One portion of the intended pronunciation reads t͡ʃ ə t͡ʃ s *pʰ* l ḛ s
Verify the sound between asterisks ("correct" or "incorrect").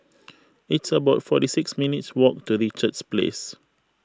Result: incorrect